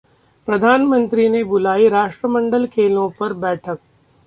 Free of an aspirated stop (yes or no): no